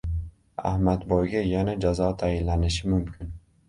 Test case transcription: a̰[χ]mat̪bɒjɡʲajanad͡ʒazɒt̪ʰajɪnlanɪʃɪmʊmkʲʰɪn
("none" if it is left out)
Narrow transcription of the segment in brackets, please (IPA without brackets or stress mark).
h